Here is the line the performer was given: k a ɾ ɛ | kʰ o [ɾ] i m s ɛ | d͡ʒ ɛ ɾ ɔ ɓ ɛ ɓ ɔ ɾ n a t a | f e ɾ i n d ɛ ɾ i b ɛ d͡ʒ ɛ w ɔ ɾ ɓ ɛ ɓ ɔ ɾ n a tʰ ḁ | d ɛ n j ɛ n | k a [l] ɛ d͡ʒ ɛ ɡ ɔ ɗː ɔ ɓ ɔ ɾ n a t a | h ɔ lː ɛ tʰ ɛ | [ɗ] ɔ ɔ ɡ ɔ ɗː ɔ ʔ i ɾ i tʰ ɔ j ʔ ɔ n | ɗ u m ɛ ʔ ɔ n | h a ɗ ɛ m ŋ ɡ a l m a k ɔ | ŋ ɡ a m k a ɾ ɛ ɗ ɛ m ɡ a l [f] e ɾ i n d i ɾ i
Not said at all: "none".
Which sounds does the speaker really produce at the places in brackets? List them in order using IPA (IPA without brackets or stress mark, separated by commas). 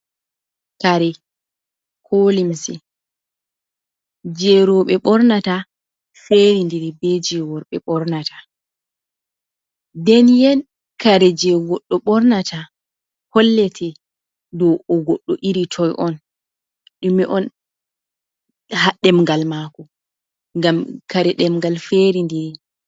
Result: l, ɾ, d, f